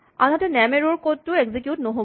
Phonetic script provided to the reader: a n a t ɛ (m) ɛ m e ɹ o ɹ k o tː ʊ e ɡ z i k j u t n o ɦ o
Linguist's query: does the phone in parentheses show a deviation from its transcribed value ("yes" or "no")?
yes